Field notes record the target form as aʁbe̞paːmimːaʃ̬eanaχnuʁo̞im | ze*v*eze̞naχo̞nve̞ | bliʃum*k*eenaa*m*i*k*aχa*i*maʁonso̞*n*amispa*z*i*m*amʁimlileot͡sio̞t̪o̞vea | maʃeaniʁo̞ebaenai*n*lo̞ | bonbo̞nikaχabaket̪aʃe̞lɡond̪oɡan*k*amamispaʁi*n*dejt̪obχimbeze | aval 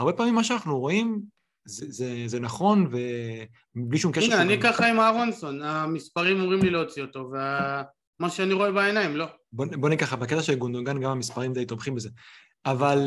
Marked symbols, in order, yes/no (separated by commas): no, yes, no, yes, yes, yes, no, yes, no, no, no